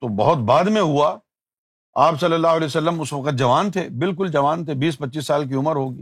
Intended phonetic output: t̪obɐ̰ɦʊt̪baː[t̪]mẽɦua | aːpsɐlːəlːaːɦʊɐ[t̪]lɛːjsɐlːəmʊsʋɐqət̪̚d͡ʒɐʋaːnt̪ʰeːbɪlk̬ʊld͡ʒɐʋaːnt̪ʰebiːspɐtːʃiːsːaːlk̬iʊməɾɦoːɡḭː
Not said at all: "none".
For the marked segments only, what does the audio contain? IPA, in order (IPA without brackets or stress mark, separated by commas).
d̪, none